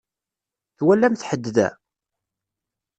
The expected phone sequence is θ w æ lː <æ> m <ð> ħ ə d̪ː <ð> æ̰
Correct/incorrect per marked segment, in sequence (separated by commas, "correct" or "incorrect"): correct, incorrect, correct